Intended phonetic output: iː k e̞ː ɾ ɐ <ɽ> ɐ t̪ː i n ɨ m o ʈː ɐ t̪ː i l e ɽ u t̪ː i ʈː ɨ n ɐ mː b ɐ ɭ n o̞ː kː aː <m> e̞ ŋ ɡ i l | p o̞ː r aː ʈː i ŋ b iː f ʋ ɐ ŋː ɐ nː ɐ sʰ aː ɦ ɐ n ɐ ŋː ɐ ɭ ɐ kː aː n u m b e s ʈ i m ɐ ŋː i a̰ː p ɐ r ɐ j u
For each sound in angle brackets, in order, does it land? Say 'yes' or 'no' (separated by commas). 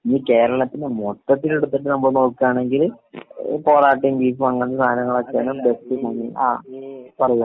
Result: no, no